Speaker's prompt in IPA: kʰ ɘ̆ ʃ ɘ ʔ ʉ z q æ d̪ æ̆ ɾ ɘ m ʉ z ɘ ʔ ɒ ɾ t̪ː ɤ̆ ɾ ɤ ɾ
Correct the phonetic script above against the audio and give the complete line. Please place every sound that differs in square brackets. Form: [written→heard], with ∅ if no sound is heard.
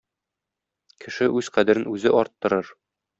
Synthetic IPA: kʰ ɘ̆ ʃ ɘ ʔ ʉ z q æ d̪ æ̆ ɾ ɘ [m→n] ʉ z ɘ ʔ ɒ ɾ t̪ː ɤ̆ ɾ ɤ ɾ